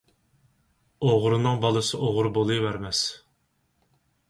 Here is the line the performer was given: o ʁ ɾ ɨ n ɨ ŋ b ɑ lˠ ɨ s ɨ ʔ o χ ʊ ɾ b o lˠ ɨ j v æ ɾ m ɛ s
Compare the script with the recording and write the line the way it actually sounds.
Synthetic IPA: o ʁ ɾ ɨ n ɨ ŋ b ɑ lˠ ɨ s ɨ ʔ o ʁ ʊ ɾ b o lˠ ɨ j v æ ɾ m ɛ s